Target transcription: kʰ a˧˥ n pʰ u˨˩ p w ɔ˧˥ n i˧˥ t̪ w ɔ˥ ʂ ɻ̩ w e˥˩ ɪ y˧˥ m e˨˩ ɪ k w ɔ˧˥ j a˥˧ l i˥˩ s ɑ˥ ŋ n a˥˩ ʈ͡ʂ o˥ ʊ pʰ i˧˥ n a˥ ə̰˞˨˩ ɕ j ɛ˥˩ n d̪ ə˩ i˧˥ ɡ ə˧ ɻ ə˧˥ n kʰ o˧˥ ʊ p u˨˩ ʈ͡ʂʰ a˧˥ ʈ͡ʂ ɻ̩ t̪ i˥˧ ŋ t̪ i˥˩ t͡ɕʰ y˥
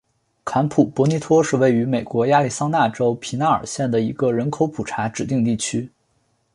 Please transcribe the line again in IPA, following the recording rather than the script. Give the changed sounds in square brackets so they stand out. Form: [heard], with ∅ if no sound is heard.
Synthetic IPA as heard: kʰ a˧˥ n pʰ u˨˩ p w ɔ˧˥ n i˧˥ [t̪ʰ] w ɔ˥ ʂ ɻ̩ w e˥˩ ɪ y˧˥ m e˨˩ ɪ k w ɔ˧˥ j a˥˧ l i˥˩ s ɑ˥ ŋ n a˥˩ ʈ͡ʂ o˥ ʊ pʰ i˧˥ n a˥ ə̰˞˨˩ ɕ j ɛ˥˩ n d̪ ə˩ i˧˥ ɡ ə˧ ɻ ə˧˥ n kʰ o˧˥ ʊ [pʰ] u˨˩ ʈ͡ʂʰ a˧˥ ʈ͡ʂ ɻ̩ t̪ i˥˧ ŋ t̪ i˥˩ t͡ɕʰ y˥